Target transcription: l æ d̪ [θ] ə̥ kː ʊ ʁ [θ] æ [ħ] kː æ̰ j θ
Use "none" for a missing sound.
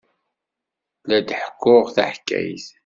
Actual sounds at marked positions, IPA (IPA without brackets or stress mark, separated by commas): ħ, θ, ħ